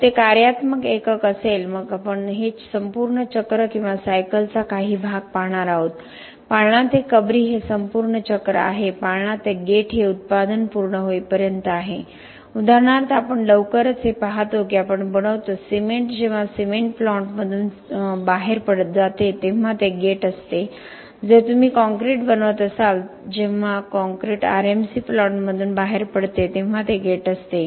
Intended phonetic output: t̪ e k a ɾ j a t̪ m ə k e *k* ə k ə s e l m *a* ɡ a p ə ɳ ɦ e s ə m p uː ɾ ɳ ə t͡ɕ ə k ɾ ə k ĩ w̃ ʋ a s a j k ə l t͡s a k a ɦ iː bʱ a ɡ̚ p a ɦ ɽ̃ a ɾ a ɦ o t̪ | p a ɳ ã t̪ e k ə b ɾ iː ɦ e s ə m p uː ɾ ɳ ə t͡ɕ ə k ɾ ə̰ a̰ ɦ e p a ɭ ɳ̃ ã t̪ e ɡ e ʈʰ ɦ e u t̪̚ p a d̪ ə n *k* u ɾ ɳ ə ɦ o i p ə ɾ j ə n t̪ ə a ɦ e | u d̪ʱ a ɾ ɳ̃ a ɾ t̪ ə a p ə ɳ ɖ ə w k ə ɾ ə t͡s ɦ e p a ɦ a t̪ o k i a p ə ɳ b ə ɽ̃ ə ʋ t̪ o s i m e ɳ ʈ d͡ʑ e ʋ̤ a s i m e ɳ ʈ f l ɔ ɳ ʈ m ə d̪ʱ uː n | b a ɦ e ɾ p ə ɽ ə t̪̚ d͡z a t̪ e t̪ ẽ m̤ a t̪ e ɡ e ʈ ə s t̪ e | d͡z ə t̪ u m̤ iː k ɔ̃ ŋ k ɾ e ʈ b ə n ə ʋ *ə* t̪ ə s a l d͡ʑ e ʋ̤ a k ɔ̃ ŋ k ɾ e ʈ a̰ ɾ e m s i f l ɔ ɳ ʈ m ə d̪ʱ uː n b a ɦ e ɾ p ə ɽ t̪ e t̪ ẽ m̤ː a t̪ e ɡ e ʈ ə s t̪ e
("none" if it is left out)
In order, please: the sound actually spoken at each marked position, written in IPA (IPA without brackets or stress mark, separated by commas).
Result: k, ə, p, ə